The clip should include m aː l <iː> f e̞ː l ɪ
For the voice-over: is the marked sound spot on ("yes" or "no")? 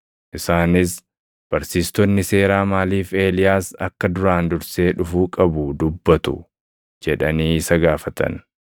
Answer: yes